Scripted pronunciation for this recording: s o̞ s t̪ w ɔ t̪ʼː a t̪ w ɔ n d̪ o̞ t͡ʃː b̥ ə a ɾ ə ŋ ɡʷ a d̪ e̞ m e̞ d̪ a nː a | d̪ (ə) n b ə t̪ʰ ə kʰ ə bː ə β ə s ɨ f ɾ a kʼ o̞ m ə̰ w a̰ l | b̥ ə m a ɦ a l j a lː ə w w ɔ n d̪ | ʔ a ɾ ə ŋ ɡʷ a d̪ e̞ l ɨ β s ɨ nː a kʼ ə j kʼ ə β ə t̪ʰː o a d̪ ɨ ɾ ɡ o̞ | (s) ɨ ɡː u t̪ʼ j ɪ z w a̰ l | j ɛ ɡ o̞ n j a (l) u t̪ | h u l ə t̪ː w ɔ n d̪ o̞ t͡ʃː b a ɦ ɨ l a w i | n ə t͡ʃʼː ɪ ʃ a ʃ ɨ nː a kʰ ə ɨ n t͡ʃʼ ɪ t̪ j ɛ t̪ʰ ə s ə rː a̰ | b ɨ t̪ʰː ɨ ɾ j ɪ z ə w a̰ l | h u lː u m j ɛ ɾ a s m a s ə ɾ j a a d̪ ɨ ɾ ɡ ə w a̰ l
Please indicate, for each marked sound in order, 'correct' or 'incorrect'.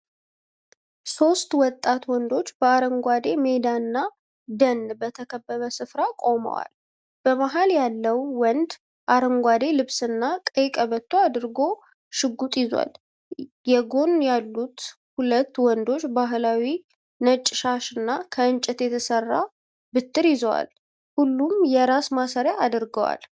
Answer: correct, incorrect, incorrect

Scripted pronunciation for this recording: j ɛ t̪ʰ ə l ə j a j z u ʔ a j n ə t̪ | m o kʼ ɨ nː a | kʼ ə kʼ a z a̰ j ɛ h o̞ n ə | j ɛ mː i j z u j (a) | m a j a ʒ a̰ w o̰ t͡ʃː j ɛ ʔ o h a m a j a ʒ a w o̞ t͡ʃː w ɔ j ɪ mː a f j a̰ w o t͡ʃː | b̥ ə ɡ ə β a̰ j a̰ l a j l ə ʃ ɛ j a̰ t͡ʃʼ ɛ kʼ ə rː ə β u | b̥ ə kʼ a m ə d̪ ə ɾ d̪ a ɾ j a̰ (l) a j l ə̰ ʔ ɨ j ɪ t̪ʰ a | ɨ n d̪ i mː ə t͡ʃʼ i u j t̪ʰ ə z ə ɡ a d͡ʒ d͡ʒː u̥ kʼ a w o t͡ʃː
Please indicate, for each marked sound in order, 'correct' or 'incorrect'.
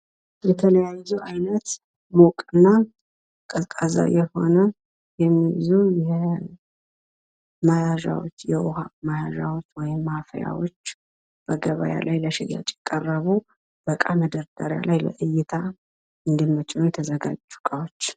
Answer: incorrect, correct

